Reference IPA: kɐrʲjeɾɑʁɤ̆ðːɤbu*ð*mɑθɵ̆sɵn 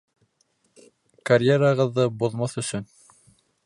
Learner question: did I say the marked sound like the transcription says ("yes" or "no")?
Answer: yes